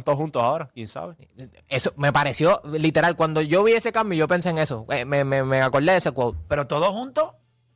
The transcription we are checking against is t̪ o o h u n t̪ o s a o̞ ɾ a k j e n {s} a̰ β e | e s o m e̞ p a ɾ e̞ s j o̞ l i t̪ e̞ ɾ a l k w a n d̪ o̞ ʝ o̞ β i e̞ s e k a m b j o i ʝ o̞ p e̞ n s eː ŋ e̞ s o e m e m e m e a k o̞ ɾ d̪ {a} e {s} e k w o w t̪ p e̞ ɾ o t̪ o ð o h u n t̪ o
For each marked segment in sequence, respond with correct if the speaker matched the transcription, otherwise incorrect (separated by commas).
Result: correct, incorrect, correct